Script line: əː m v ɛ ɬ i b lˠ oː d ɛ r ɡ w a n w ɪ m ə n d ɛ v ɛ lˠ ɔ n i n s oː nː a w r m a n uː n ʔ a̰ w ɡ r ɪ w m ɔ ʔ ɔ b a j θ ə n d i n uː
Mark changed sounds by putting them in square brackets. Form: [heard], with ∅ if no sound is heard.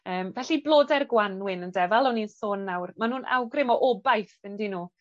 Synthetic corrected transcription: əː m v ɛ ɬ i b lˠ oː d ɛ r ɡ w a n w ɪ [n] ə n d ɛ v [a] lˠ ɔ n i n s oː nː a w r m a n uː n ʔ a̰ w ɡ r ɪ [∅] m ɔ ʔ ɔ b a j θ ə n d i n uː